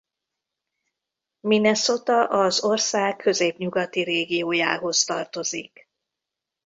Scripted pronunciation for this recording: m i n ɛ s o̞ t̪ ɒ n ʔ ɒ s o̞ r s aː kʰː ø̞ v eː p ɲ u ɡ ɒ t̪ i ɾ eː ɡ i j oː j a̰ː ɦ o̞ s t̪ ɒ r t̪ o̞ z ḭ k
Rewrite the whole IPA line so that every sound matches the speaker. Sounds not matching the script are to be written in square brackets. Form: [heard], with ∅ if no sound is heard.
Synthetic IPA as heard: m i n ɛ s o̞ t̪ ɒ [∅] ʔ ɒ [z] o̞ r s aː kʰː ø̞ [z] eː p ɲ u ɡ ɒ t̪ i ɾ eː ɡ i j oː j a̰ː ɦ o̞ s t̪ ɒ r t̪ o̞ z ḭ k